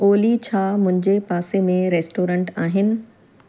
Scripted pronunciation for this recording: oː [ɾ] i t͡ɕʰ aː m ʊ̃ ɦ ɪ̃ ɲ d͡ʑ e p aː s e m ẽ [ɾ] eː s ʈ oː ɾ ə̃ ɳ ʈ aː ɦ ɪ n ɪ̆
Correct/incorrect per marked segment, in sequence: incorrect: l, correct

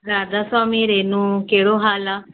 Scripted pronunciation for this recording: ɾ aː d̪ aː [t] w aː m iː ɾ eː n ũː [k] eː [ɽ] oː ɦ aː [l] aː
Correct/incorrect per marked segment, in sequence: incorrect: s, correct, correct, correct

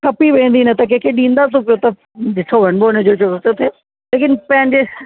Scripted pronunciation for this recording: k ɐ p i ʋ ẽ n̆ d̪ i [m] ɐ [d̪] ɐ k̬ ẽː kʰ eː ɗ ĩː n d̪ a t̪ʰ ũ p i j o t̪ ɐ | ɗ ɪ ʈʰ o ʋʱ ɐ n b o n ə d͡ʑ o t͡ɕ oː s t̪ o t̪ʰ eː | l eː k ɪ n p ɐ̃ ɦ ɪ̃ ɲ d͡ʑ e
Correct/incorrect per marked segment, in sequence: incorrect: n, incorrect: t̪

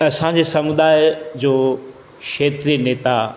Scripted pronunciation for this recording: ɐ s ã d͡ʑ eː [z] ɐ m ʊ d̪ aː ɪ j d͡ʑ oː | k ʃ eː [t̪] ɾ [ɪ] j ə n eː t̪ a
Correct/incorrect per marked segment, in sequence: incorrect: s, correct, incorrect: i

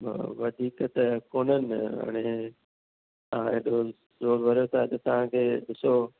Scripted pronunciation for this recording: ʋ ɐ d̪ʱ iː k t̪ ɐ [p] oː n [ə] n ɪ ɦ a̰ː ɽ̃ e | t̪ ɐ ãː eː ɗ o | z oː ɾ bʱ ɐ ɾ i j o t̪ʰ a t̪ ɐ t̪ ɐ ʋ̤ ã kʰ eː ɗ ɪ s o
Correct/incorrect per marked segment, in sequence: incorrect: k, correct

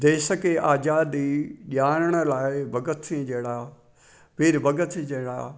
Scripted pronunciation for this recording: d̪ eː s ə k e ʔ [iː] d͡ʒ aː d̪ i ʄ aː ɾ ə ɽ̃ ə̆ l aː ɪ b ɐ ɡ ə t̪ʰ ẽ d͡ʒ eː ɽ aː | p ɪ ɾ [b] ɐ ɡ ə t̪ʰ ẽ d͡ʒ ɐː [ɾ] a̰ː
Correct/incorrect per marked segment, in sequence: incorrect: aː, correct, incorrect: ɽ

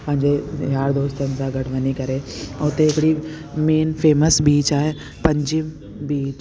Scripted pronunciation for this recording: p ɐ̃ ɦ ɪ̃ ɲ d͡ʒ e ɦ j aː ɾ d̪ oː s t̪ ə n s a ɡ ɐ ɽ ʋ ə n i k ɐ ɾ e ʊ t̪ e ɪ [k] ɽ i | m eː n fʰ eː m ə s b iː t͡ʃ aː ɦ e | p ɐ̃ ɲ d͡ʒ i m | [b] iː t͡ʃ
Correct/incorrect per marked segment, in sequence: correct, correct

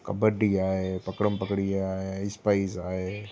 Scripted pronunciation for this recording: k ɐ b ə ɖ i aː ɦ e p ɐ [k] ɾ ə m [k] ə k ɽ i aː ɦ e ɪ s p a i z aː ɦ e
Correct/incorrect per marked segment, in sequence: correct, incorrect: p

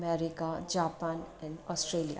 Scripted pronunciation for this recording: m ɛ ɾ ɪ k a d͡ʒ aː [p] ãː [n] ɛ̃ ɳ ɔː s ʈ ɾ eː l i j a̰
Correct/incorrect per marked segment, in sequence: correct, correct

